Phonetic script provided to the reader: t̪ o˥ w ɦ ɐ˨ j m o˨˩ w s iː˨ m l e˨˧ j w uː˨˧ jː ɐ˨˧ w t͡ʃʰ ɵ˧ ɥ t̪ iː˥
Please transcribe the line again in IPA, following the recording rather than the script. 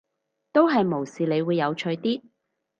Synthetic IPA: t̪ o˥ w ɦ ɐ˨ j m o˨˩ w s iː˨ l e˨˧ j w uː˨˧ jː ɐ˨˧ w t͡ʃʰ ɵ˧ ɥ t̪ iː˥